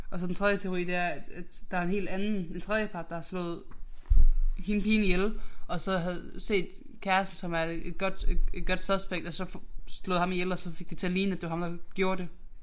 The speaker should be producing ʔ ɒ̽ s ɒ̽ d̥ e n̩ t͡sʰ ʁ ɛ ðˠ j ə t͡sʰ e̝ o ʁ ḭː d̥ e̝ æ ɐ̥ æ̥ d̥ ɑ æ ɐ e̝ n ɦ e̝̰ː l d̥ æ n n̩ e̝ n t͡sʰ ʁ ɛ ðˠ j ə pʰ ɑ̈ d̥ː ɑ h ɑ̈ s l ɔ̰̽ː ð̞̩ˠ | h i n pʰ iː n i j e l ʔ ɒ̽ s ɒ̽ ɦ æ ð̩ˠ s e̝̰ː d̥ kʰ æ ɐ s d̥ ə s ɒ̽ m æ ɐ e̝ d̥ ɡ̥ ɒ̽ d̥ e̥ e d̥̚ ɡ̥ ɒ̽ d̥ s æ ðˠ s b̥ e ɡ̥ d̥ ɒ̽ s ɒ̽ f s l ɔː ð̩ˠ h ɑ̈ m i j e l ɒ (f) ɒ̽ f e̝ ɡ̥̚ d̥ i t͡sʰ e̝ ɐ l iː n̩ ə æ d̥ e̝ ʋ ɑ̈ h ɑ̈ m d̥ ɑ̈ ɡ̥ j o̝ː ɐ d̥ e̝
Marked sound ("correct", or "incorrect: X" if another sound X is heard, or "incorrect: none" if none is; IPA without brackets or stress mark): incorrect: s